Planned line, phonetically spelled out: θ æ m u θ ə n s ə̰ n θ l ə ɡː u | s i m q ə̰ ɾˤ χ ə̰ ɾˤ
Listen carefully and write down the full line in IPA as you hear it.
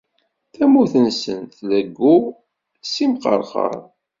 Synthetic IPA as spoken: θ æ m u θ ə n s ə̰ n θ l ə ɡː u | s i m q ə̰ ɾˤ χ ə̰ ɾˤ

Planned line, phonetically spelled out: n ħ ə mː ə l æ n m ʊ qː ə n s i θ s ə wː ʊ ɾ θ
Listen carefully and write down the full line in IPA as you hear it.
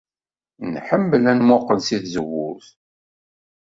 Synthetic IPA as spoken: n ħ ə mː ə l æ n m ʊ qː ə n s i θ z ə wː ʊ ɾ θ

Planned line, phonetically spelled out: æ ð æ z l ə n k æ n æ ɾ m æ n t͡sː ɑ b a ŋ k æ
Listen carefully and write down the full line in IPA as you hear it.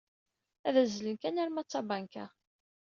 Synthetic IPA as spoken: æ ð æ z l ə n k æ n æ ɾ m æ t͡sː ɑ b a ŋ k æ

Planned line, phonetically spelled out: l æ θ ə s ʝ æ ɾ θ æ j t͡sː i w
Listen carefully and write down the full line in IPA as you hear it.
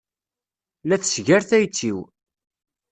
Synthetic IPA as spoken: l æ θ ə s ʝ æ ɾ θ æ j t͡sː i w

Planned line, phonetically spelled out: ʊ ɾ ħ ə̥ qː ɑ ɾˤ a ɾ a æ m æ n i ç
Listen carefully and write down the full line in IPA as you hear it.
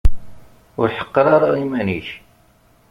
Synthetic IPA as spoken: ʊ ɾ ħ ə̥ qː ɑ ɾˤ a ɾ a i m æ n i ç

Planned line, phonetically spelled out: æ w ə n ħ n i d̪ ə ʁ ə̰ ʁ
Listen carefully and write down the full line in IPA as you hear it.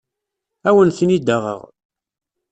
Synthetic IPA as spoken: æ w ə n θ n i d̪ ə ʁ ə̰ ʁ

